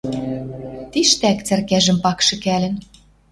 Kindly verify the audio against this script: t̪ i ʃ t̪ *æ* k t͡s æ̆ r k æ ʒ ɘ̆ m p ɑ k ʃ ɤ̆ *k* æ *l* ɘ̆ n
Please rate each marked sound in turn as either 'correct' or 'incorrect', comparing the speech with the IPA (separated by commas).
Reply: correct, correct, correct